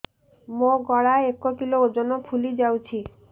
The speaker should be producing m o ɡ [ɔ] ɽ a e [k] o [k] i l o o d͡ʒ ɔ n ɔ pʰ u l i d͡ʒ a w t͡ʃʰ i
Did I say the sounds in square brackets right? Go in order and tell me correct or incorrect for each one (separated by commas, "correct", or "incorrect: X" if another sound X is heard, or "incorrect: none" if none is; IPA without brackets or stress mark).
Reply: correct, correct, correct